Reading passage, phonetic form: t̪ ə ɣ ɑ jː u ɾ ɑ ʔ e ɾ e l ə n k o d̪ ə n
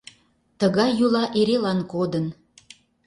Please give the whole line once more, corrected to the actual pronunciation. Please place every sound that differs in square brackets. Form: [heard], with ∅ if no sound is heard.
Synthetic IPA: t̪ ə ɣ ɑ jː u [l] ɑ ʔ e ɾ e l [ɑ] n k o d̪ ə n